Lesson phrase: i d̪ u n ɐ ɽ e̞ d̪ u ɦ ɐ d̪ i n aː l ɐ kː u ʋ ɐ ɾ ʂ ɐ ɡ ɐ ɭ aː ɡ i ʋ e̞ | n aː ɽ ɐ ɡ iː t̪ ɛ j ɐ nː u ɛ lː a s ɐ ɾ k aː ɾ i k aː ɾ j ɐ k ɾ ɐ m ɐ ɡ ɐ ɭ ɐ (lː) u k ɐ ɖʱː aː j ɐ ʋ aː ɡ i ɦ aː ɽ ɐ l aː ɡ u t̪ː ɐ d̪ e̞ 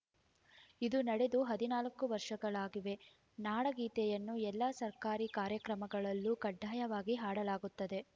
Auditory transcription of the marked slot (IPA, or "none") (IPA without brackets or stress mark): lː